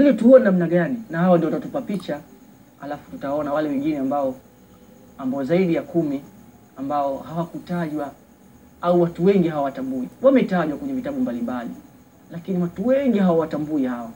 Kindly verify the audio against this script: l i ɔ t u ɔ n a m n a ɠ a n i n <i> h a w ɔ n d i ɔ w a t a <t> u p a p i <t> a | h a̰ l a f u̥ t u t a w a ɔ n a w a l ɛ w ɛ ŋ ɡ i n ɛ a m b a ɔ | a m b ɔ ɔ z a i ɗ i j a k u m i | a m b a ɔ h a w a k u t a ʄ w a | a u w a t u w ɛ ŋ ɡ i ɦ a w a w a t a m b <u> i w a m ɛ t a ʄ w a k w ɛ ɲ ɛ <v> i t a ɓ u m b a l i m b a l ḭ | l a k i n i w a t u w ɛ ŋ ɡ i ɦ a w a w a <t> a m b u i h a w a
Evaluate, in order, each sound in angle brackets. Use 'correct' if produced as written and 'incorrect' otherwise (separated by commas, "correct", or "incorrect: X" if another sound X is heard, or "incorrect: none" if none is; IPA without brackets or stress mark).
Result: incorrect: a, correct, incorrect: t͡ʃ, correct, correct, correct